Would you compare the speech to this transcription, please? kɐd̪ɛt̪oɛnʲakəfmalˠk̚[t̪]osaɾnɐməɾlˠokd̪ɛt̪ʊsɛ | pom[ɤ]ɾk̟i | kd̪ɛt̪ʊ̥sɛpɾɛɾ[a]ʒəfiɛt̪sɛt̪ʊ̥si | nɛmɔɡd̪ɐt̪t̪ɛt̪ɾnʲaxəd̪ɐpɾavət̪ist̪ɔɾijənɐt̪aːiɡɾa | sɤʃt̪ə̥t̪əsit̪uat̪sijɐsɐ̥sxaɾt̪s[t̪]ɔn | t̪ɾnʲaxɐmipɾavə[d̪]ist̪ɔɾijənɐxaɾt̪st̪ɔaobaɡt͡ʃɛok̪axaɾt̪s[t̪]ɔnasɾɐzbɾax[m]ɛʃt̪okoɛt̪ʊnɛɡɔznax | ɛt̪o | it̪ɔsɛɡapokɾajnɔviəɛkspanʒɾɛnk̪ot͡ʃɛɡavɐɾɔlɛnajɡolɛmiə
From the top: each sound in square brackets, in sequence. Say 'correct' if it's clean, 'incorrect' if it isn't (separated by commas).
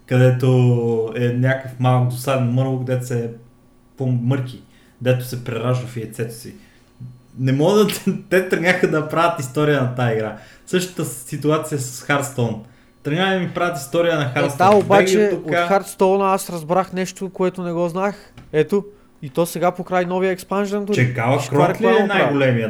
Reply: incorrect, correct, correct, correct, incorrect, correct, incorrect